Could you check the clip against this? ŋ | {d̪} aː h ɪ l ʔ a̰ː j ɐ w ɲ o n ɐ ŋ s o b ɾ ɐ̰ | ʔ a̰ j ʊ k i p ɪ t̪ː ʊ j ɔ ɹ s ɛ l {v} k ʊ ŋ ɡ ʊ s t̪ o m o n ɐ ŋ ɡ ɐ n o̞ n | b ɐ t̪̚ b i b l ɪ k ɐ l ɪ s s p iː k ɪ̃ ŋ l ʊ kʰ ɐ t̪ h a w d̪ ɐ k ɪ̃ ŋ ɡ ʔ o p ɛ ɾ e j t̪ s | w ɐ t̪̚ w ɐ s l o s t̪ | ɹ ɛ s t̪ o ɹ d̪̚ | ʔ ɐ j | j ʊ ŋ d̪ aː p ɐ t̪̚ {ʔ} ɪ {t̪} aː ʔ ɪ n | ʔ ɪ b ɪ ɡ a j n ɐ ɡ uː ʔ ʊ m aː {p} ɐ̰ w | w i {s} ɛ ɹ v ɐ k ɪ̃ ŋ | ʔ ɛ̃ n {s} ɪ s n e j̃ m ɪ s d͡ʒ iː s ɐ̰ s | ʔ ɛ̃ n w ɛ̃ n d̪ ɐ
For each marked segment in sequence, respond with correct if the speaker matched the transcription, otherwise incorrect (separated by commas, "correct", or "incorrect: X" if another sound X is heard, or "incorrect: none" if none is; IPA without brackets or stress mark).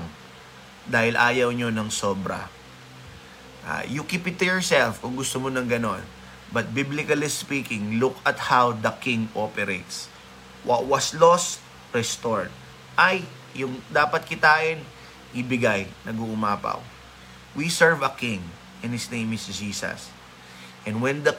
correct, incorrect: f, incorrect: k, correct, correct, correct, incorrect: h